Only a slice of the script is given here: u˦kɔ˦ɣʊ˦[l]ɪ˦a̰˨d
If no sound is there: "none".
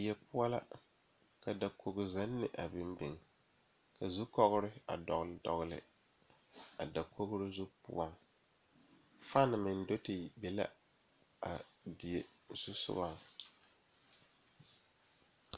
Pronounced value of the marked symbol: ɾ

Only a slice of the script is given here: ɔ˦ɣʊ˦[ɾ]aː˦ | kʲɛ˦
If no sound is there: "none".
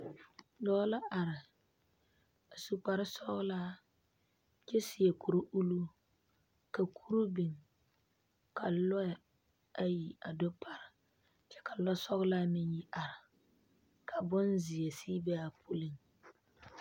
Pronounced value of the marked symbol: l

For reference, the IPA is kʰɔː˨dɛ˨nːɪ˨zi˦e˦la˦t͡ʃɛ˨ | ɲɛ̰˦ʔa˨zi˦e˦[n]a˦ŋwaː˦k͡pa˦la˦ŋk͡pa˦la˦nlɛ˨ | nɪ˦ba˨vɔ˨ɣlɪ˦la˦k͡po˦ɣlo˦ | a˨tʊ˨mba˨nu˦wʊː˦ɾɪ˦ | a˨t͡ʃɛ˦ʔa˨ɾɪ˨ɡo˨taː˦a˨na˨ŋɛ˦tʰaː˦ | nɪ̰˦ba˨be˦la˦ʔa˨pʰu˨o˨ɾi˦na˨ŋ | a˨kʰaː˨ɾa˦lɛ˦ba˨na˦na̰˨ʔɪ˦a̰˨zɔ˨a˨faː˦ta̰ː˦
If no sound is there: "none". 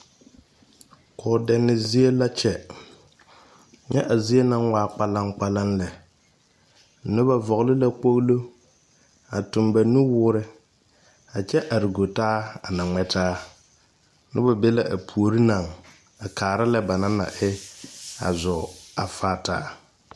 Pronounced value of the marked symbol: n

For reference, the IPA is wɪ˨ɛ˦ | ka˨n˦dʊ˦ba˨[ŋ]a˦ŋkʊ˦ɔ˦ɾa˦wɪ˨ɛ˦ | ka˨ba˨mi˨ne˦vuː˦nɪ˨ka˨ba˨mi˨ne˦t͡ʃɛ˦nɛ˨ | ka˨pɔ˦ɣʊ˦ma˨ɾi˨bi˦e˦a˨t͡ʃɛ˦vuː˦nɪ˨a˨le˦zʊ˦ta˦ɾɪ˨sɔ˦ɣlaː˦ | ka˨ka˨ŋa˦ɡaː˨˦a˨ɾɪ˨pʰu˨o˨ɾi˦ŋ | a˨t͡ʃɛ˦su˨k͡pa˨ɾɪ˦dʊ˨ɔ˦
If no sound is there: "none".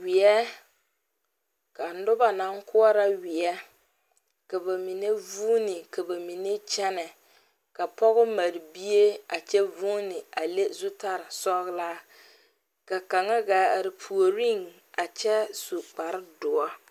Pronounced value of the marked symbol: n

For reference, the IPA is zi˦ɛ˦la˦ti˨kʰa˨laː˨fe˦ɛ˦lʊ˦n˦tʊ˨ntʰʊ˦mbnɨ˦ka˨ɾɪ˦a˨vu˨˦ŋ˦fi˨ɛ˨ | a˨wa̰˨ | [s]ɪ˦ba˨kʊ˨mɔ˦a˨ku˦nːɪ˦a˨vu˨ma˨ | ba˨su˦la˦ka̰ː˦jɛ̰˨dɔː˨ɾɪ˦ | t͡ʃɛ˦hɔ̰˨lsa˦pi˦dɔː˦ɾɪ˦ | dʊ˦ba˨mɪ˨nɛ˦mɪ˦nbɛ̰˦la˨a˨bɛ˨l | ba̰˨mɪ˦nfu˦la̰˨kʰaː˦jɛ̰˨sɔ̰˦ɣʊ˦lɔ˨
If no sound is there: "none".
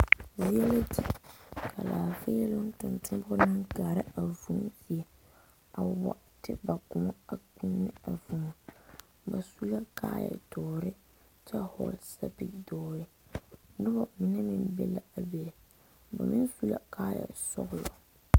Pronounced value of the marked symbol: t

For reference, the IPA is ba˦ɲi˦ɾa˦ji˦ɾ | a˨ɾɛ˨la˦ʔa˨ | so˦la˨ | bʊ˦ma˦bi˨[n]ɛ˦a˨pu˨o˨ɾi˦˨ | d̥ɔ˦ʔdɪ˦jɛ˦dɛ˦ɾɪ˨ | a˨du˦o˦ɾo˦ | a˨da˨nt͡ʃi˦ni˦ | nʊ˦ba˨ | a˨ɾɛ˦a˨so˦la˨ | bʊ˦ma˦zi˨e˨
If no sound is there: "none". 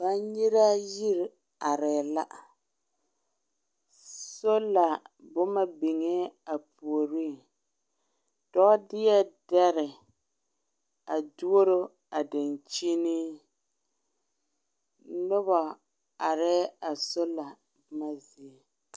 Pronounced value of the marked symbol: ŋ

